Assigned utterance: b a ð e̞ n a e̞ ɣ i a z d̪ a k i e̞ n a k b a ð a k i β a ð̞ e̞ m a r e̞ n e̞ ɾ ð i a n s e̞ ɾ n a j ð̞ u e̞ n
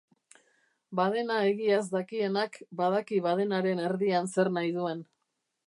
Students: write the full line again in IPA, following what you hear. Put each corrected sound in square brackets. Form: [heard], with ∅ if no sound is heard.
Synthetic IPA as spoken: b a ð e̞ n a e̞ ɣ i a z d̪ a k i e̞ n a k b a ð a k i β a ð̞ e̞ [n] a [ɾ] e̞ n e̞ ɾ ð i a n s e̞ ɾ n a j ð̞ u e̞ n